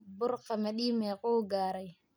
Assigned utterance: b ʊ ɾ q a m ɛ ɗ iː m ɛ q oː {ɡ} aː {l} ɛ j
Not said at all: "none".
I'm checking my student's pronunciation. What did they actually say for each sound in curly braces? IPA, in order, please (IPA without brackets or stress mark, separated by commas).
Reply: ɡ, ɾ